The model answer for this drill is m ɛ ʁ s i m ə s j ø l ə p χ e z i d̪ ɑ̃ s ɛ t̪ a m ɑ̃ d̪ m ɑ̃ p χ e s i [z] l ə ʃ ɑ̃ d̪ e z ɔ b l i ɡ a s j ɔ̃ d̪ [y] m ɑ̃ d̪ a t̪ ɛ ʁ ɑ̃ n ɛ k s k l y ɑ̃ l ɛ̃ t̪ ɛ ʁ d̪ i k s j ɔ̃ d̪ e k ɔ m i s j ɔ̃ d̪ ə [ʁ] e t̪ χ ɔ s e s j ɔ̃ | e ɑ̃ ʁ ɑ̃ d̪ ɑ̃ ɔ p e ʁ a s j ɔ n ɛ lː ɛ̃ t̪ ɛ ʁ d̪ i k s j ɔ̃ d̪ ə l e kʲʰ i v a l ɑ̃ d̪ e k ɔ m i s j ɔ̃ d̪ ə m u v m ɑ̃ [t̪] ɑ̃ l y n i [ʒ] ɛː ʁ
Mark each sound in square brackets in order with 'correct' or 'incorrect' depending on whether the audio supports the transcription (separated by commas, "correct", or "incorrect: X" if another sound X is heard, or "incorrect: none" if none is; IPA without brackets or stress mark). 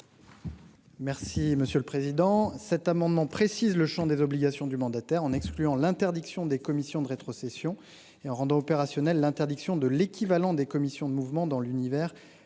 correct, correct, correct, incorrect: d̪, incorrect: v